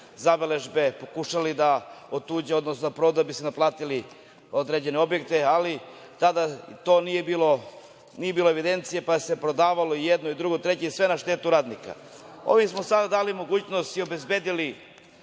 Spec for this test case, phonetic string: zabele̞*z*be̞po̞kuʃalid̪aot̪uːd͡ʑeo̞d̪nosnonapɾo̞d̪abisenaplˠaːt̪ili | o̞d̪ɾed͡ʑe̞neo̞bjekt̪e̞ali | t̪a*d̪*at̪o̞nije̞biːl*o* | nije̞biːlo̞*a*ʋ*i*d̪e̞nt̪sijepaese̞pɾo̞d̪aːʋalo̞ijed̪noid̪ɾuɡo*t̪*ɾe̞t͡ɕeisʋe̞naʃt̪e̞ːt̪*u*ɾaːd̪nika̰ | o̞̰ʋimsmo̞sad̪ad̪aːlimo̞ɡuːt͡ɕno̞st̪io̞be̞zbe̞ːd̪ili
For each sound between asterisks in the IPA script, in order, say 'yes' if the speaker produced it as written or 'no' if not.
no, yes, yes, no, yes, yes, yes

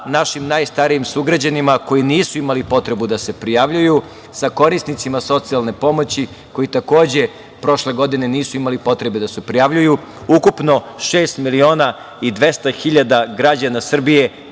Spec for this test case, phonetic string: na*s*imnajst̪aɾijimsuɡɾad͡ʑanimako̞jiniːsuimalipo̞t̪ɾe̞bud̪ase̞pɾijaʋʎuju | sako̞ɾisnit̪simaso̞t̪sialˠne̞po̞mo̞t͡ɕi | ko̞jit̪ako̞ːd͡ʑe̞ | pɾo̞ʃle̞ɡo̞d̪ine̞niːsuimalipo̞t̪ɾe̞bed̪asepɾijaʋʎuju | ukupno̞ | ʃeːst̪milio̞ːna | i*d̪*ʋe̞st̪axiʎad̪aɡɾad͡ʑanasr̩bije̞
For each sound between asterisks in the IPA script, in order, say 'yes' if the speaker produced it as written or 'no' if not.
no, yes

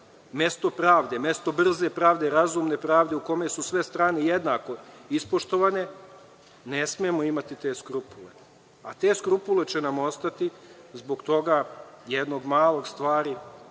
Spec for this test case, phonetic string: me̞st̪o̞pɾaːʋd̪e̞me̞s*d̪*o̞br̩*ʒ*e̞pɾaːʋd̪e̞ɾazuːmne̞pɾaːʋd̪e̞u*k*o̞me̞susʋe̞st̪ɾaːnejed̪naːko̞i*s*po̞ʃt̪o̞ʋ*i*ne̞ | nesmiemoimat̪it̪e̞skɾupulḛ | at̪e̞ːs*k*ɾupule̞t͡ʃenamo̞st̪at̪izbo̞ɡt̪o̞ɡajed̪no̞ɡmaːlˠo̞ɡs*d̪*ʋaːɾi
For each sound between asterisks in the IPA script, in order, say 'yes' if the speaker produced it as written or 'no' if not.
no, no, yes, yes, no, yes, no

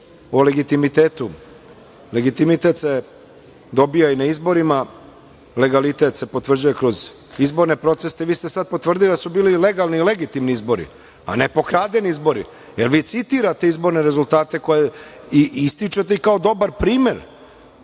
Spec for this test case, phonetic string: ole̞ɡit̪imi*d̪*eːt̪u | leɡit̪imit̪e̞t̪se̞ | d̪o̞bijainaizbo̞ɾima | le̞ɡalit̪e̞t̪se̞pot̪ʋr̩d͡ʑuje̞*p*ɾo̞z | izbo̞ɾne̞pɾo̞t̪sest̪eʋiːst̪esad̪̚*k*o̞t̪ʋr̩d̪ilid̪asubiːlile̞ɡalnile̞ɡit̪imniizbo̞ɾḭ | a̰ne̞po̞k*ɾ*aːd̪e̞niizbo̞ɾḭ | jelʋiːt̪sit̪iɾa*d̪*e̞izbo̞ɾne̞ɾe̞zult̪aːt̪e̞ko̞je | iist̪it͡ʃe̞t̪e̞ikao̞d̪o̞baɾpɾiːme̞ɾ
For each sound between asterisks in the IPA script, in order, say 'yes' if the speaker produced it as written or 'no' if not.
no, no, no, yes, no

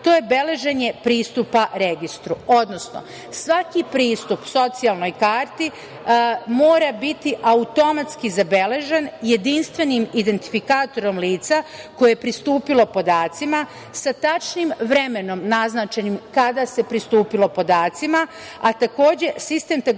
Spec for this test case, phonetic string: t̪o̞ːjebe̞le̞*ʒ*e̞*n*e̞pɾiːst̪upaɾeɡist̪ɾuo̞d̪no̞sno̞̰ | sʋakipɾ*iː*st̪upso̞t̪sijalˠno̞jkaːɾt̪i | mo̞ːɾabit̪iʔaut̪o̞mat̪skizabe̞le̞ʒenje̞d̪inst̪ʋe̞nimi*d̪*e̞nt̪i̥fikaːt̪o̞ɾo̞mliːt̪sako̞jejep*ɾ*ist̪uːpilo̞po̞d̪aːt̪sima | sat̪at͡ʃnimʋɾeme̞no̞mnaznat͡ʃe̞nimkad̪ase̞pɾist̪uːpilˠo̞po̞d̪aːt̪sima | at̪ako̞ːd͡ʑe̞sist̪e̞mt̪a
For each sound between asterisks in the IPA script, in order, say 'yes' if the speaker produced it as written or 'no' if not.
yes, no, yes, yes, yes

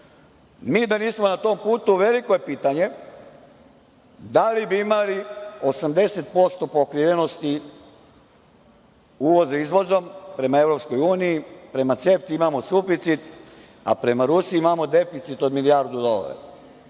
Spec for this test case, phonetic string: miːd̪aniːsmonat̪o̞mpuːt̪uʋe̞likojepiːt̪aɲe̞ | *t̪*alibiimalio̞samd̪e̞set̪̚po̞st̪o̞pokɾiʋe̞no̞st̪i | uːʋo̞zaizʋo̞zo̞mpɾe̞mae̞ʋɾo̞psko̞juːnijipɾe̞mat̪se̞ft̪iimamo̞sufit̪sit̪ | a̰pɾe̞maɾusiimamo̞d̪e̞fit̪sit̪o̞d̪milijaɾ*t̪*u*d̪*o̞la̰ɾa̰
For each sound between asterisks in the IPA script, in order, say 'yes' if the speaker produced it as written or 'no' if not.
no, no, yes

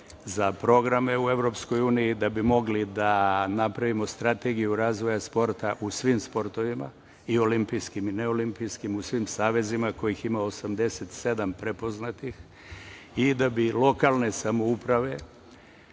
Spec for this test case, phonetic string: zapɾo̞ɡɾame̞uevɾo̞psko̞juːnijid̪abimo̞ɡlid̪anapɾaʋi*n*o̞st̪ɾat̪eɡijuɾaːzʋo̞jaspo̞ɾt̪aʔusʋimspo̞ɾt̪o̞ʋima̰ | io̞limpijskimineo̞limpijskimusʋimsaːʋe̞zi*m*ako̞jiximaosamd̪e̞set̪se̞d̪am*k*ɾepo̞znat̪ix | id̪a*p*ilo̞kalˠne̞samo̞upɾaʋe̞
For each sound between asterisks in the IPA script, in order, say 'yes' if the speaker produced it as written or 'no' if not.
no, yes, no, no

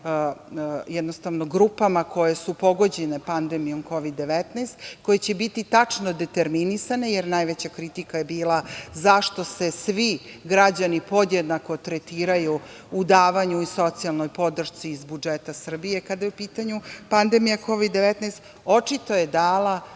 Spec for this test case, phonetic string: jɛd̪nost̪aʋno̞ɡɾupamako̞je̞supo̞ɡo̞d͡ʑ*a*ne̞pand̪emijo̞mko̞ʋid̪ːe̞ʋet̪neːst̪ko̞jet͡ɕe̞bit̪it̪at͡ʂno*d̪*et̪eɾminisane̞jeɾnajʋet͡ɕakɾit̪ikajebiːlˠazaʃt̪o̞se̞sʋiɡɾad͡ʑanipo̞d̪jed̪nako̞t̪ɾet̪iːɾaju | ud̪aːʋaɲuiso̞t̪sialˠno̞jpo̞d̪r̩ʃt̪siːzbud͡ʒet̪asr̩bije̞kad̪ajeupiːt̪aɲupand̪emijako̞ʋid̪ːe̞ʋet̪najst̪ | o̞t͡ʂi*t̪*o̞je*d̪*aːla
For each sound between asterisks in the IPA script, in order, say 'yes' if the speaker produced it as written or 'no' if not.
no, yes, yes, yes

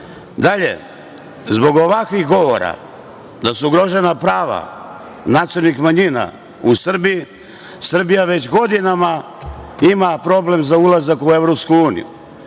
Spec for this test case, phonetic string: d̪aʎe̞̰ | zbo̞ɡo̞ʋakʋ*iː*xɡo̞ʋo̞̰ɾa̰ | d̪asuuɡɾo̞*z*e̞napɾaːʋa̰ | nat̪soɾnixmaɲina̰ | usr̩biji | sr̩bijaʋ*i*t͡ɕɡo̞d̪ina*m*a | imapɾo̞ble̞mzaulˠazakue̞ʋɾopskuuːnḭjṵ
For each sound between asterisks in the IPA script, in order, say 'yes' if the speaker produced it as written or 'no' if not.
no, no, no, yes

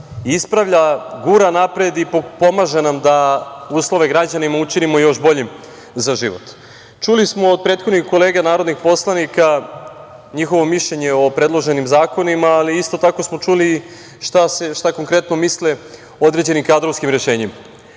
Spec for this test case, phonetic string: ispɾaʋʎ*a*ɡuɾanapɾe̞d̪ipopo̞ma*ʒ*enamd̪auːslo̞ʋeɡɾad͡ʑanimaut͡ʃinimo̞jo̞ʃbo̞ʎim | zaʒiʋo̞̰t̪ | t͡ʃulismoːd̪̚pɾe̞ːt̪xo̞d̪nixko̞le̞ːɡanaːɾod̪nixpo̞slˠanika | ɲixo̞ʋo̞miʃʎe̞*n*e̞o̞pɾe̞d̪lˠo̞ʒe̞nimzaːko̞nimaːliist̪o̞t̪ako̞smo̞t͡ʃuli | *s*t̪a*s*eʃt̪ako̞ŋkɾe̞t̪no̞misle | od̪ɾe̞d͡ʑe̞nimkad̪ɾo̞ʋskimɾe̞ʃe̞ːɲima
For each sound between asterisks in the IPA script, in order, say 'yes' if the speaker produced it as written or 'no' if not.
yes, yes, no, no, yes

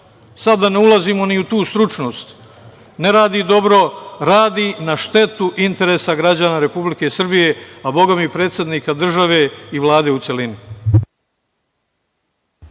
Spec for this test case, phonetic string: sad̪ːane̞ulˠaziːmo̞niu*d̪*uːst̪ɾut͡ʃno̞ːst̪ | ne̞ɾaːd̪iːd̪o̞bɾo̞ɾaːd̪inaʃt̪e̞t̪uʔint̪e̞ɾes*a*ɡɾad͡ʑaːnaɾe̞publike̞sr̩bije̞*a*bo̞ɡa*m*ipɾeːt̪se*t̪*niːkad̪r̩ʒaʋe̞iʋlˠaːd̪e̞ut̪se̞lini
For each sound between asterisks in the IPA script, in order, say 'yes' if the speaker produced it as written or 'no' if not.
no, yes, yes, yes, no

